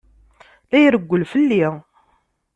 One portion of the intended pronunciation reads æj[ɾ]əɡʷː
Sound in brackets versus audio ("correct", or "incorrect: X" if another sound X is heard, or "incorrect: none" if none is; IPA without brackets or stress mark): correct